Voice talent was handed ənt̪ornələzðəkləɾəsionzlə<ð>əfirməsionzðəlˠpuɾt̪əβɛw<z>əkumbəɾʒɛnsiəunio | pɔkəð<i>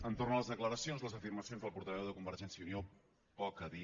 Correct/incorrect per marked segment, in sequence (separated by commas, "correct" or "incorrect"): incorrect, incorrect, correct